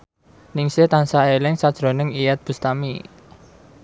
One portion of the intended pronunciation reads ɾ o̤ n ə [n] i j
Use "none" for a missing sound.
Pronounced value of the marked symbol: ŋ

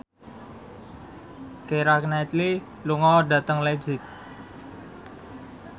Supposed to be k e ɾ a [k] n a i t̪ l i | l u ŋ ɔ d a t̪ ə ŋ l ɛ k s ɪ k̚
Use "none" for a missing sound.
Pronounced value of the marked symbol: k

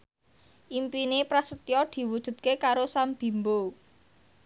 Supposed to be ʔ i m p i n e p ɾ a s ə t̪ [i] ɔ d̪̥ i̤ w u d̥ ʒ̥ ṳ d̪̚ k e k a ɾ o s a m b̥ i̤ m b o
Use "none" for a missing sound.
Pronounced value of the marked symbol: j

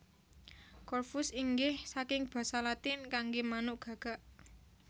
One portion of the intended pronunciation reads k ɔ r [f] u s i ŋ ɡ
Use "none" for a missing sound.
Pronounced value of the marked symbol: f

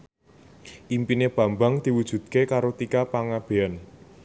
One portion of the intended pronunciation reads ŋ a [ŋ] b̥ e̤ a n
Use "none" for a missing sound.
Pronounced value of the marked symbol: none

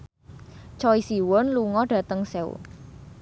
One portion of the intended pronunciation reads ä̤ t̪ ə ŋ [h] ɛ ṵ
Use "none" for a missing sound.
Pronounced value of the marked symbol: s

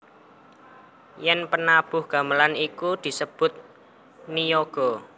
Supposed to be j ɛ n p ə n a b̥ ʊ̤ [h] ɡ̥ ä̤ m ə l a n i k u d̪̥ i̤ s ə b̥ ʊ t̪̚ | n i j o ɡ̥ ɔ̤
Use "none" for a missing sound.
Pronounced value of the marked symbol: h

